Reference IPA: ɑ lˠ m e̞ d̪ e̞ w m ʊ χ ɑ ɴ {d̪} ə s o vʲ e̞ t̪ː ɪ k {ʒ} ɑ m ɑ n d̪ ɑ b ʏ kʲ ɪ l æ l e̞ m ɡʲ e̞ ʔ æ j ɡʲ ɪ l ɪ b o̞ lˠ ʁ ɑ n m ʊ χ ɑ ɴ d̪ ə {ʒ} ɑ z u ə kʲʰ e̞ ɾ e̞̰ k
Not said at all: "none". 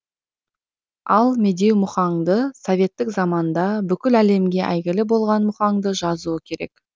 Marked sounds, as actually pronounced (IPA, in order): d̪, z, ʒ

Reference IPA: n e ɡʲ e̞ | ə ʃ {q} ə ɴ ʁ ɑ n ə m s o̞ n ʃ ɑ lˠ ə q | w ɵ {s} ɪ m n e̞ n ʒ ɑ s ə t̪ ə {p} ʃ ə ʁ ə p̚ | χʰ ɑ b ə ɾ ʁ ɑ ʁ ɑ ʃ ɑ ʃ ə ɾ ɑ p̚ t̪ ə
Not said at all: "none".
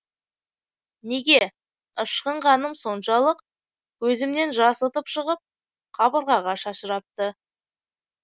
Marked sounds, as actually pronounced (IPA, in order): q, z, p

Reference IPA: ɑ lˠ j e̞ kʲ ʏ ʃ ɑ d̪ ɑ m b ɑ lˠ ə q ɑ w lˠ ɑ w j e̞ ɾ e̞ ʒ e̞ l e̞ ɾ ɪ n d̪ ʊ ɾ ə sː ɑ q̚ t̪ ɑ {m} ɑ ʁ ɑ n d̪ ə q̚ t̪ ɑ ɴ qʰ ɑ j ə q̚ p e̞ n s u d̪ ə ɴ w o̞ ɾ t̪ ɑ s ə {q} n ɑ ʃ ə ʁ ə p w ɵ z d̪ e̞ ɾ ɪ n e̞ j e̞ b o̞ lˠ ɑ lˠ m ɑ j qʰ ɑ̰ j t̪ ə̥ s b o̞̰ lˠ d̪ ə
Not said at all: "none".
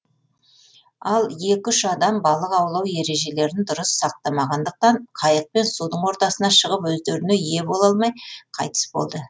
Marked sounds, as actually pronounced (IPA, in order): m, none

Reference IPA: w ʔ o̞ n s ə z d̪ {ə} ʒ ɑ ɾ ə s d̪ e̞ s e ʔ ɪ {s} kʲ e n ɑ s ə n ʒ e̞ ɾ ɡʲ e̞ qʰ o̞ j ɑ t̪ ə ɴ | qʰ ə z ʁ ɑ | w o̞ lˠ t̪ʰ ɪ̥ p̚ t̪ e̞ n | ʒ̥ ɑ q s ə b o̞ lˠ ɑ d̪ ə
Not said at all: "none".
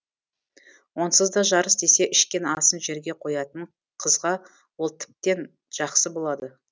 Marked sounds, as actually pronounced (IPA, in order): ɑ, ʃ

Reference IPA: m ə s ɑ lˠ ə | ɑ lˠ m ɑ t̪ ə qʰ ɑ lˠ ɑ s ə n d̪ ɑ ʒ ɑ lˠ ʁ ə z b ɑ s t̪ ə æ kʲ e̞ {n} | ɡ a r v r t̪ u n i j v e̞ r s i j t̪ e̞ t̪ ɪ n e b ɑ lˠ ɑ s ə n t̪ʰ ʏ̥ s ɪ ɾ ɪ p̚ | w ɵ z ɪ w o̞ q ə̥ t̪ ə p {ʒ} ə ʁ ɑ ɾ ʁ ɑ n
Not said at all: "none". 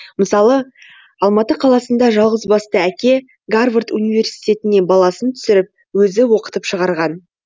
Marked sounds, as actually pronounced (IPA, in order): none, ʃ

